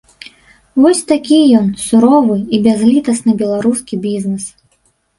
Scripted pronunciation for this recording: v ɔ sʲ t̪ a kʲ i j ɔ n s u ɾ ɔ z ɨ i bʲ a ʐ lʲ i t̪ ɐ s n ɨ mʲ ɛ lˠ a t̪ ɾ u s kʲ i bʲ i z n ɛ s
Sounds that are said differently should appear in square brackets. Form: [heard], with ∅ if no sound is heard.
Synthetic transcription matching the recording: v ɔ sʲ t̪ a kʲ i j ɔ n s u ɾ ɔ [v] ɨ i bʲ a [z] lʲ i t̪ ɐ s n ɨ [bʲ] ɛ lˠ a [∅] ɾ u s kʲ i bʲ i z n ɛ s